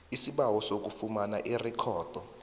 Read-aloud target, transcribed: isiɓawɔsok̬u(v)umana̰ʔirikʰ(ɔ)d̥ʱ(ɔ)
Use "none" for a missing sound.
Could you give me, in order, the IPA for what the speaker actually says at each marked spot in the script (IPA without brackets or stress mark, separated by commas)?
f, ɔː, ɔ